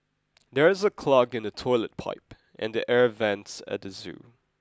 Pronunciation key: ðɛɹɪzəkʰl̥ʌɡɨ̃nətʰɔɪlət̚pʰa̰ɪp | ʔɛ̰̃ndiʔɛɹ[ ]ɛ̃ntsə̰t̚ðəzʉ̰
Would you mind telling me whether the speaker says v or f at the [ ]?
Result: v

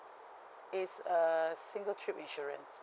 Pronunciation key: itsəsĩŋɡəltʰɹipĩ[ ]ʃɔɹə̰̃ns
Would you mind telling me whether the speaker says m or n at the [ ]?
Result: n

